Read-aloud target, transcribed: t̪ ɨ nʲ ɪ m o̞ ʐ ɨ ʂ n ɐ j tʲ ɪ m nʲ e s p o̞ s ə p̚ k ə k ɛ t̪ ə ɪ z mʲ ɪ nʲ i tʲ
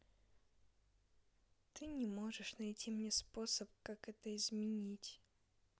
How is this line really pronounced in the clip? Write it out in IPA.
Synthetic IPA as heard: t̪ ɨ nʲ ɪ m o̞ ʐ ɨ ʂ n ɐ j tʲ i m nʲ e s p o̞ s ə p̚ k a k ɛ t̪ ə ɪ z mʲ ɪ nʲ i tʲ